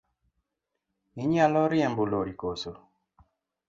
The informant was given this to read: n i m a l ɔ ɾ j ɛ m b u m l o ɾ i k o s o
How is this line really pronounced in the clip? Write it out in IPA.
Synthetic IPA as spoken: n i ɲ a l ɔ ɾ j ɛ m b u l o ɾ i k o s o